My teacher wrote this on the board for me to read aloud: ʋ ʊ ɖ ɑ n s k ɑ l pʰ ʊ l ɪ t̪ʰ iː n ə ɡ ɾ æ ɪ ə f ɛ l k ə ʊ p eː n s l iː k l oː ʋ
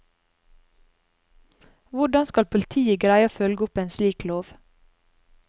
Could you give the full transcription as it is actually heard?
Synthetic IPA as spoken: ʋ ʊ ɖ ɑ n s k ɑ l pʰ ʊ l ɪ t̪ʰ iː ə ɡ ɾ æ ɪ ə f œ l ɡ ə ʊ p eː n s l iː k l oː ʋ